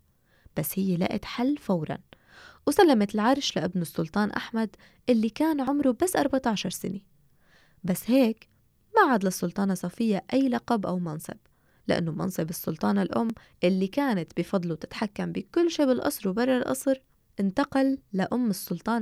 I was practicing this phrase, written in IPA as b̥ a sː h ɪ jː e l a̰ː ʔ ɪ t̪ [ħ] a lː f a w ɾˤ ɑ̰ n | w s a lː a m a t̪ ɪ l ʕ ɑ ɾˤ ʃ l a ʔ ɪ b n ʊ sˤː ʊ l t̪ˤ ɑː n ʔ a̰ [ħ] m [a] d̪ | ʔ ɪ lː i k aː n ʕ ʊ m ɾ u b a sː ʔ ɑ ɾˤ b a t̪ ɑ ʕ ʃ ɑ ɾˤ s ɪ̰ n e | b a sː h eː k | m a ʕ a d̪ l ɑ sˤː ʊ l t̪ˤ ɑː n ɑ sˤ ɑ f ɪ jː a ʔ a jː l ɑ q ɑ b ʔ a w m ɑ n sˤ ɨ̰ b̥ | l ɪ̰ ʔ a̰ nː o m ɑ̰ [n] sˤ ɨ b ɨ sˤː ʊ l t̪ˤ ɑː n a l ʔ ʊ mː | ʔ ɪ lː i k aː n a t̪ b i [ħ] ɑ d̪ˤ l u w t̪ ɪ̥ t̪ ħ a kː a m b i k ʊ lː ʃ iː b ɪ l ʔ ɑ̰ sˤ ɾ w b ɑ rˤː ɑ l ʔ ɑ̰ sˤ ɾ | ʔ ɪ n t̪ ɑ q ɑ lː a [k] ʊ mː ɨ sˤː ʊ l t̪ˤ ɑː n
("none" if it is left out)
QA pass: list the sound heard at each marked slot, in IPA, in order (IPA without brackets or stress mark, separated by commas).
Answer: ħ, ħ, a, n, f, ʔ